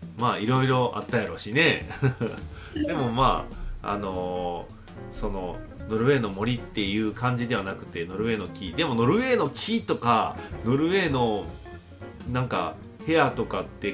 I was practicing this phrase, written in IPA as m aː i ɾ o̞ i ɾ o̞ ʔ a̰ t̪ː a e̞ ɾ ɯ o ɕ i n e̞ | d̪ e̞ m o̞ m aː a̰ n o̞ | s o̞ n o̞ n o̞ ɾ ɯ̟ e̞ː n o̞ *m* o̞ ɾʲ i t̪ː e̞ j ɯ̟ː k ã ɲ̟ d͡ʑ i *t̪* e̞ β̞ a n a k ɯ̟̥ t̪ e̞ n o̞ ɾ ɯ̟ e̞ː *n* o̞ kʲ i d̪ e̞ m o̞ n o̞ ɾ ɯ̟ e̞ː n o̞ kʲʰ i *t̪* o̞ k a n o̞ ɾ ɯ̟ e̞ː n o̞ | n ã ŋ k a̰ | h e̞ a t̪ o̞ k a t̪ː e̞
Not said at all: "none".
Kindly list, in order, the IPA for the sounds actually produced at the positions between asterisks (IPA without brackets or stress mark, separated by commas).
m, d̪, n, t̪